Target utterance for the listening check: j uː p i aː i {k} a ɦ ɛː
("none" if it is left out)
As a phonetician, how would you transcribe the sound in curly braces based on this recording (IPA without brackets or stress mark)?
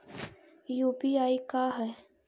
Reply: k